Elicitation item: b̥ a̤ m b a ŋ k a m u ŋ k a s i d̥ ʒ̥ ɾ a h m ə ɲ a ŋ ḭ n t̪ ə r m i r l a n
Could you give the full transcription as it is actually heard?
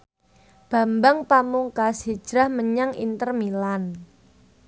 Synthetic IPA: b̥ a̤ m b a ŋ p a m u ŋ k a s i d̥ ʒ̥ ɾ a h m ə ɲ a ŋ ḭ n t̪ ə r m i l a n